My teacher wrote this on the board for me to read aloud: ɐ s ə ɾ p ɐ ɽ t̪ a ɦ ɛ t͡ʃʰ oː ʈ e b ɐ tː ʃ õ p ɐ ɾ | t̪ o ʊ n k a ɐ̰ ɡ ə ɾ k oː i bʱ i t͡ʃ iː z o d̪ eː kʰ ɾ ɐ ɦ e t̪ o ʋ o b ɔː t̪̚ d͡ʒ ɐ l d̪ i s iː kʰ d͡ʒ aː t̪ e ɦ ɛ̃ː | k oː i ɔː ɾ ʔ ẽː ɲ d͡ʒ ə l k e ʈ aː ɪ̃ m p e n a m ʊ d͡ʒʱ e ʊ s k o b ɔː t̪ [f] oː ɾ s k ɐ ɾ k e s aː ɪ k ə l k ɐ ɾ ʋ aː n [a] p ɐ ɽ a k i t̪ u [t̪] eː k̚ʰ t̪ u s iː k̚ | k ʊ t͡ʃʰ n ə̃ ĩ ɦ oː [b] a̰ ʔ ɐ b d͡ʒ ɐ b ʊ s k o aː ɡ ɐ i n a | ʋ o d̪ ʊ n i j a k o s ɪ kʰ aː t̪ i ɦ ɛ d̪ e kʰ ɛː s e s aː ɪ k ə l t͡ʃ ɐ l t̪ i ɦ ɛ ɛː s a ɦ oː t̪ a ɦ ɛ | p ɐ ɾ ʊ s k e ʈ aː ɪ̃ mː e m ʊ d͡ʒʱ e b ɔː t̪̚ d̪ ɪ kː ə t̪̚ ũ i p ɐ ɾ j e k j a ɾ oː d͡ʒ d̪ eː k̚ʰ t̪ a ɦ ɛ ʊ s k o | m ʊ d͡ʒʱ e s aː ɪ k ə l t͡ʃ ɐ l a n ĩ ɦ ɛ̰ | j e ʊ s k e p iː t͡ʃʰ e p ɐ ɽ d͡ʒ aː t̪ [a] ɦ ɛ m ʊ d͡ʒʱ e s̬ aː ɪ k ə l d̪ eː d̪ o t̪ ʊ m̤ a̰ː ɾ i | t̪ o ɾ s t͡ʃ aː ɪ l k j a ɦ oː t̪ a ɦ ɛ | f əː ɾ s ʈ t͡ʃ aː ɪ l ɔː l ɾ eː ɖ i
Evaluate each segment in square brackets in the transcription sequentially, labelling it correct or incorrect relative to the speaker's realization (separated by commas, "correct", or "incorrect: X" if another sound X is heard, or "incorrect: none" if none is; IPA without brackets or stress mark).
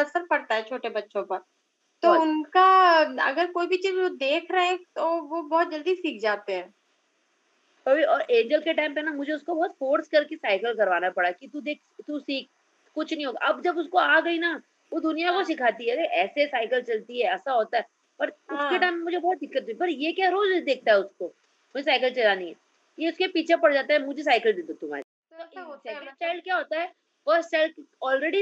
correct, correct, incorrect: d̪, incorrect: ɡ, correct